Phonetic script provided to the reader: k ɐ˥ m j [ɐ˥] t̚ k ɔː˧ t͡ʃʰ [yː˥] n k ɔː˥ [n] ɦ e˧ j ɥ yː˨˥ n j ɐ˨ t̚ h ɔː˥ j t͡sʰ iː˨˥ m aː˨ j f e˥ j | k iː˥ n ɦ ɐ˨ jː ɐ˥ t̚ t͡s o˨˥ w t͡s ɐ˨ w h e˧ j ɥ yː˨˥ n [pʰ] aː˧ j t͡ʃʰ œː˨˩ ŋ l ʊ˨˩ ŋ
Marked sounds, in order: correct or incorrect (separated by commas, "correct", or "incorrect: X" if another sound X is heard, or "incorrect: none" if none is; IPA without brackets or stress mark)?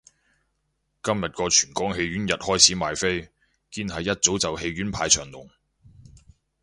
incorrect: ɐ˨, incorrect: yː˨˩, incorrect: ŋ, correct